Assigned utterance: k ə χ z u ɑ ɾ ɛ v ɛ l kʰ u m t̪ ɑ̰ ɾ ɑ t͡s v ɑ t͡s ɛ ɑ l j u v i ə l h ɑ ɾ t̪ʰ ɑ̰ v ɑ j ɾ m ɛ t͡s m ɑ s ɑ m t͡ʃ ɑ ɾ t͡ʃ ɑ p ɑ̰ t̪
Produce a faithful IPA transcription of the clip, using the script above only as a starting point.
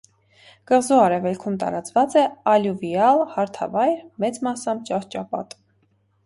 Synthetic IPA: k ə ʁ z u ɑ ɾ ɛ v ɛ l kʰ u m t̪ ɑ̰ ɾ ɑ t͡s v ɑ t͡s ɛ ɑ l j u v i ɑ l h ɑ ɾ t̪ʰ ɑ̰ v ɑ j ɾ m ɛ t͡s m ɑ s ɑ m t͡ʃ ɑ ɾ t͡ʃ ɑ p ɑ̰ t̪